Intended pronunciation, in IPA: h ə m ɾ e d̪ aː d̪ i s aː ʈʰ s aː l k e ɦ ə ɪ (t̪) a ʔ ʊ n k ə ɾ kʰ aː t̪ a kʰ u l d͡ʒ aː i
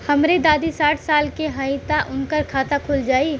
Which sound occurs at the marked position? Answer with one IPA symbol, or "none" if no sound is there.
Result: t̪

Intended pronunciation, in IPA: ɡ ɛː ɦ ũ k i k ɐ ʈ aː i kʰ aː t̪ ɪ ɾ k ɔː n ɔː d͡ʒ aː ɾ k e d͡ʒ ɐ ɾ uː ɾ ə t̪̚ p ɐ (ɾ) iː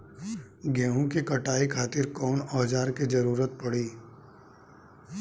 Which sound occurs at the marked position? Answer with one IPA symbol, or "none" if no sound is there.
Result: ɽ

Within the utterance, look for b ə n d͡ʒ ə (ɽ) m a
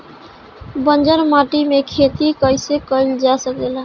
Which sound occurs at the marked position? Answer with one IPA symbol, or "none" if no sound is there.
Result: ɾ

